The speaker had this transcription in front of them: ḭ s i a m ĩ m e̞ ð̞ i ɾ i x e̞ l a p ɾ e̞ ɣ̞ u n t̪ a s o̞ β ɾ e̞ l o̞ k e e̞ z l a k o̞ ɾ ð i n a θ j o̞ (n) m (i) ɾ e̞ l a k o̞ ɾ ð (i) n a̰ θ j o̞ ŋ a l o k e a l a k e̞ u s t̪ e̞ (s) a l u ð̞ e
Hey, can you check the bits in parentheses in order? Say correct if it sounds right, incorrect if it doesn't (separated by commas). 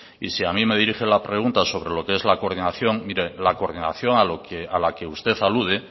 incorrect, correct, correct, incorrect